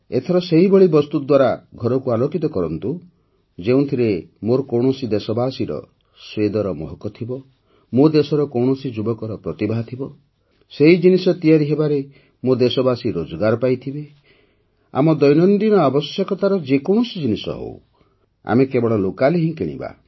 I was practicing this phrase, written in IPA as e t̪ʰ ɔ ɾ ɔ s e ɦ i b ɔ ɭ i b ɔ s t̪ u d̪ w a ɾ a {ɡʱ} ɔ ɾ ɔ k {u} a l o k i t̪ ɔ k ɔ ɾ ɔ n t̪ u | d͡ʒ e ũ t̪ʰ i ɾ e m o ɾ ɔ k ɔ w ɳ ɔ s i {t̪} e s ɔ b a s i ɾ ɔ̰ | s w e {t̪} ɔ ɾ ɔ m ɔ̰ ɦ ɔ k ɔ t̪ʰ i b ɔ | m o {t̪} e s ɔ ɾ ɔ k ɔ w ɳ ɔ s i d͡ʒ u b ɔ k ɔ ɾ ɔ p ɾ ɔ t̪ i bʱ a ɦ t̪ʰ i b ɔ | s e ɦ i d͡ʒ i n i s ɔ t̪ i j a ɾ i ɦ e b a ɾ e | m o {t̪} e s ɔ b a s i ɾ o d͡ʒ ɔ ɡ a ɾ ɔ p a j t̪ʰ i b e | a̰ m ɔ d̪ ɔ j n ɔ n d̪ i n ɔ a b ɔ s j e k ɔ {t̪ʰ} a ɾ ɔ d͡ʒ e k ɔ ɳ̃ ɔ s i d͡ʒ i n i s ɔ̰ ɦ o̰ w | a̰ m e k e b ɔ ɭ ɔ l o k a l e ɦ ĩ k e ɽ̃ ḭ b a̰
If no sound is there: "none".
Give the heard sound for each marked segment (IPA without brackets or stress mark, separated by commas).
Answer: ɡʱ, u, d̪, d̪, d̪, d̪, t̪